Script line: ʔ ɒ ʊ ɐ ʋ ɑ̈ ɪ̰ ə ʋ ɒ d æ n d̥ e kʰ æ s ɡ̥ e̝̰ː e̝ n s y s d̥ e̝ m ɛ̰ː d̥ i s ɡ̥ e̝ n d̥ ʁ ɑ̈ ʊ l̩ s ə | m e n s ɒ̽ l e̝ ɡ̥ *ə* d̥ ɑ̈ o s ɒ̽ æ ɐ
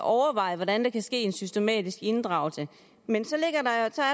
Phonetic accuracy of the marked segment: incorrect: ɐ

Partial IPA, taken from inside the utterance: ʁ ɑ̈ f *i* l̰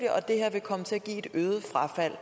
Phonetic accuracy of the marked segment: incorrect: æ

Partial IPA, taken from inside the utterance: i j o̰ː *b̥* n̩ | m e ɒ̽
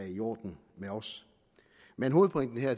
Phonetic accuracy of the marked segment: incorrect: d̥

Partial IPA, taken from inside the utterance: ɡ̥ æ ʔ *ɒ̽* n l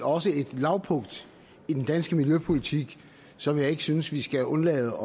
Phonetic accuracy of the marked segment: incorrect: ɔ̽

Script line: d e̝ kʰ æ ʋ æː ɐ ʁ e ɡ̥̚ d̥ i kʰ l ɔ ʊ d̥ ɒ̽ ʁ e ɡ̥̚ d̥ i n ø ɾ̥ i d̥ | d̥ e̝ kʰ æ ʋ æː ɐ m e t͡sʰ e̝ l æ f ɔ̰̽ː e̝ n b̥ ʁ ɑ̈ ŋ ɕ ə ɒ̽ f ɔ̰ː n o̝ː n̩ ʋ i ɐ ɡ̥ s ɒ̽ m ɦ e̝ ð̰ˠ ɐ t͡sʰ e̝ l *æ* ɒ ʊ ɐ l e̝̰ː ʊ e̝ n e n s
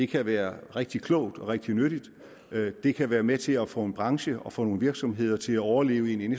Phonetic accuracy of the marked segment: correct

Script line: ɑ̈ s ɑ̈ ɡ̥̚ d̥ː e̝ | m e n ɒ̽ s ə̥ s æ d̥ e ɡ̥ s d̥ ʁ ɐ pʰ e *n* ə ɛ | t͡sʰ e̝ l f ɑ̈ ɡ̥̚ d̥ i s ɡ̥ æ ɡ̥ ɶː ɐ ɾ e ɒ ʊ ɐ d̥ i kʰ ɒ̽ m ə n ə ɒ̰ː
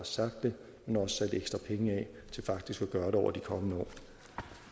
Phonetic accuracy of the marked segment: incorrect: ŋ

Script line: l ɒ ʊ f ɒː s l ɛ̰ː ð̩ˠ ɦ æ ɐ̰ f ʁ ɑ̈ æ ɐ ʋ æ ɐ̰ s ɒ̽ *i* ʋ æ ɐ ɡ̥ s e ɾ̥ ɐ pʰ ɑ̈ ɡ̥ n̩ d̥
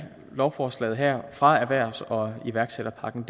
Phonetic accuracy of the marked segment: correct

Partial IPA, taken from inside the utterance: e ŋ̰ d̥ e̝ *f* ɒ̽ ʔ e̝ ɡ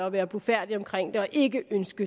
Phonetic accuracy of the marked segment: incorrect: none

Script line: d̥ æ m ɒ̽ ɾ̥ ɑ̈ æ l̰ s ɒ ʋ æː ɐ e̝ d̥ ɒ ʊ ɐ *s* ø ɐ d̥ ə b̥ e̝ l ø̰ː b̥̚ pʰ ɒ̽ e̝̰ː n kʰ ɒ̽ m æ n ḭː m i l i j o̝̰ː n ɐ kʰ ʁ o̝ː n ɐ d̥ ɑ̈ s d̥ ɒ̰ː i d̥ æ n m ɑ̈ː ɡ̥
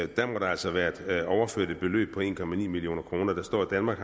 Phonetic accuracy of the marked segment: incorrect: f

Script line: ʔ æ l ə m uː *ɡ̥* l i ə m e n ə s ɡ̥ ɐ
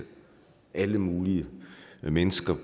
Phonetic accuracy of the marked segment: incorrect: none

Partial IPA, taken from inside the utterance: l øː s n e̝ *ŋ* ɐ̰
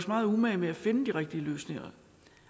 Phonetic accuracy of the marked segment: correct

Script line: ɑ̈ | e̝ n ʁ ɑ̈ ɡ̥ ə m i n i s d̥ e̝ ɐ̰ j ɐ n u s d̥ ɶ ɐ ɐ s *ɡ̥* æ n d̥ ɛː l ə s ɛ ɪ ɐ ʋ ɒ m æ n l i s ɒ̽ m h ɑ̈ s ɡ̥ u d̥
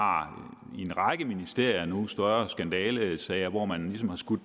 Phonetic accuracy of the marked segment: correct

